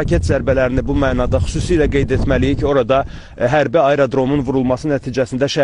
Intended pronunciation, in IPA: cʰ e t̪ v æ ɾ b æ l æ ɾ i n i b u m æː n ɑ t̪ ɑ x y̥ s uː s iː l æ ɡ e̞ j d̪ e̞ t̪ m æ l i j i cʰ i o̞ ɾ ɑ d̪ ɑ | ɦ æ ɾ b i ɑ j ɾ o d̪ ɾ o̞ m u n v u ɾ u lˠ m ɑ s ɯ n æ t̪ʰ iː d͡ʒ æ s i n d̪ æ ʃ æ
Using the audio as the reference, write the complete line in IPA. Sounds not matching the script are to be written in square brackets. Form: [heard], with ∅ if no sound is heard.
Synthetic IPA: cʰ e t̪ [z] æ ɾ b æ l æ ɾ i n i b u m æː n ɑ [d̪] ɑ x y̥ s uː s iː l æ ɡ e̞ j d̪ e̞ t̪ m æ l i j i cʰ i o̞ ɾ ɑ d̪ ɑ | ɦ æ ɾ b i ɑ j ɾ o d̪ ɾ o̞ m u n v u ɾ u lˠ m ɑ s ɯ n æ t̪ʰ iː d͡ʒ æ s i n d̪ æ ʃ æ